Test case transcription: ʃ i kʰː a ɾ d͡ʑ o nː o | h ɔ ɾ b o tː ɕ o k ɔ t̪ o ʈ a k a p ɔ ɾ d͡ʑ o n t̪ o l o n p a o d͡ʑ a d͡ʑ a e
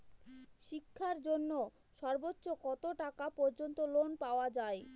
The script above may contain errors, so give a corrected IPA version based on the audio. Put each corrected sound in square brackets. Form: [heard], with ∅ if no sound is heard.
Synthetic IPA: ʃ i kʰː a ɾ d͡ʑ o nː o | [ʃ] ɔ ɾ b o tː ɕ o k ɔ t̪ o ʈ a k a p ɔ ɾ d͡ʑ o n t̪ o l o n p a o [∅] a d͡ʑ a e